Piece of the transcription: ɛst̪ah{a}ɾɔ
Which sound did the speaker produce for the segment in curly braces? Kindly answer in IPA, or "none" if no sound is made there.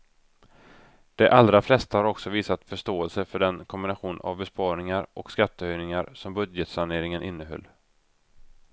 a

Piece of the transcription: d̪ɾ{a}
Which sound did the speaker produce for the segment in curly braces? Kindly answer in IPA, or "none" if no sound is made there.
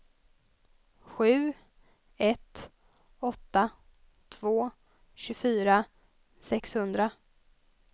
a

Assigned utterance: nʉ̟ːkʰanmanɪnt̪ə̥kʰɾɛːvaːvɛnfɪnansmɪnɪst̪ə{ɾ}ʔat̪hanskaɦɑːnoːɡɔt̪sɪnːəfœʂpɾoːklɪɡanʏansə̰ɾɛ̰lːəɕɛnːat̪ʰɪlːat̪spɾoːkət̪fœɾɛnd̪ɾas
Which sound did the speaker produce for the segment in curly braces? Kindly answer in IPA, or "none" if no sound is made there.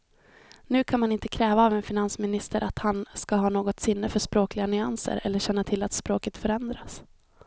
ɾ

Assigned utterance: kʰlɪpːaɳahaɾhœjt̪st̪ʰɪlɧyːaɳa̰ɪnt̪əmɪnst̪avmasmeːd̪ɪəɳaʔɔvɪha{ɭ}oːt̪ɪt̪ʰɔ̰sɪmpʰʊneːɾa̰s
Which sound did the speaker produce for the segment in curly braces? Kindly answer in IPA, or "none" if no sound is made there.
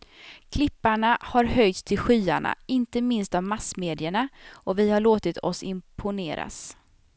ɭ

